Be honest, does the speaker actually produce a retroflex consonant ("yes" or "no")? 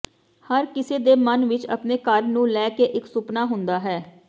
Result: no